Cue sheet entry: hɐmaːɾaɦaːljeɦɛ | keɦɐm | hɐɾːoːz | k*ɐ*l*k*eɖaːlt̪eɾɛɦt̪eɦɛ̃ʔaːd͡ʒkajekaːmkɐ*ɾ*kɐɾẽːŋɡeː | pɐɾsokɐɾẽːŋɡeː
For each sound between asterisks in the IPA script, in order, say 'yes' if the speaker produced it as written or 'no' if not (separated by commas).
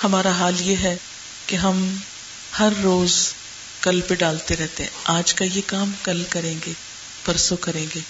yes, no, no